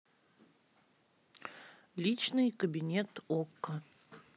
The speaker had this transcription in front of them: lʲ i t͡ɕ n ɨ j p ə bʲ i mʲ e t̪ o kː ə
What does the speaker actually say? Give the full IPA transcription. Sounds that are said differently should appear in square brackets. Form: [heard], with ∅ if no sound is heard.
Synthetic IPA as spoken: lʲ i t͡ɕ n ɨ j [k] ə bʲ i [nʲ] e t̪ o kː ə